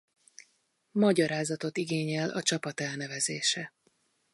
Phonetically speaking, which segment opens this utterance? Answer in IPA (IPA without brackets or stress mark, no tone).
m